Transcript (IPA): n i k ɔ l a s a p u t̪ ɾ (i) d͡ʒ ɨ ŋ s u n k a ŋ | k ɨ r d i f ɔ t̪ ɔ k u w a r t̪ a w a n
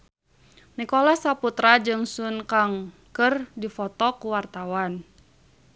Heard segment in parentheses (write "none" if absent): a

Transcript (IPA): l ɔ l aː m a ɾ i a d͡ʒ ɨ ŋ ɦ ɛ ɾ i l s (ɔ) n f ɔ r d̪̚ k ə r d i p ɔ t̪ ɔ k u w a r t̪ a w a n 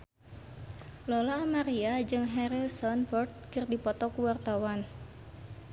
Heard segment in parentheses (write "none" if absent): ɔ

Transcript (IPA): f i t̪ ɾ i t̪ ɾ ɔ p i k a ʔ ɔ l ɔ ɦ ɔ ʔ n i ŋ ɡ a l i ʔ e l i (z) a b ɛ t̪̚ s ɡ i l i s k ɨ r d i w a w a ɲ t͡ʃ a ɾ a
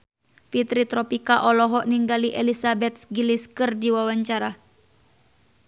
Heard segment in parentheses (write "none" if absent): s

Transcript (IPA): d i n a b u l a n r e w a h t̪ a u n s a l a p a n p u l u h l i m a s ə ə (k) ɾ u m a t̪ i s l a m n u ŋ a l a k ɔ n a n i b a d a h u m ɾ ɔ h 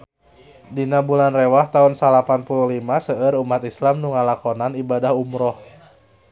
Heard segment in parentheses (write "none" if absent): none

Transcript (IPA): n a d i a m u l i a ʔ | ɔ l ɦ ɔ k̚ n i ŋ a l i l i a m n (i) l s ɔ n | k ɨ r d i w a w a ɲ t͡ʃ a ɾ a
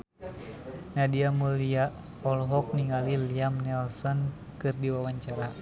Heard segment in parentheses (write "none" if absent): ɛ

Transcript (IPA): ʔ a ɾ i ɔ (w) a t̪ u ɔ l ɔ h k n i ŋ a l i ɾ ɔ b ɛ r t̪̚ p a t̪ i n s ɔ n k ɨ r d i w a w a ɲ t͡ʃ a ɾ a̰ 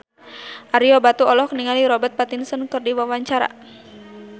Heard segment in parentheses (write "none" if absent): b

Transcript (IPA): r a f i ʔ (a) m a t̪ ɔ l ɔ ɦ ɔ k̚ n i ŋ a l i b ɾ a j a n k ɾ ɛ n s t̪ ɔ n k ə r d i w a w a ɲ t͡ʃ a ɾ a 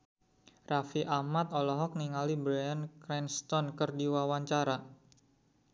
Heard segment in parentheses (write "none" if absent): a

